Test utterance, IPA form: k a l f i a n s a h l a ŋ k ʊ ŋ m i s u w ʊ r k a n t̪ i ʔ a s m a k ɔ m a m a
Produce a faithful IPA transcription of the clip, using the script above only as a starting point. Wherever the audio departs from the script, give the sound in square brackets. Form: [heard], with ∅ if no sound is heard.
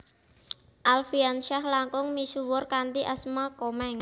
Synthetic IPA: [ʔ] a l f i a n [ʃ] a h l a ŋ k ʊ ŋ m i s u w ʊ r k a n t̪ i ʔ a s m a k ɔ m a [ŋ] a